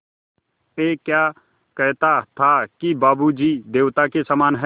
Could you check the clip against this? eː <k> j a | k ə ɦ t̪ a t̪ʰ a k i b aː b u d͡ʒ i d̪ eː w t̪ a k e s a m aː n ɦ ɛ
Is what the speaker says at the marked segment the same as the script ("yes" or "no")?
yes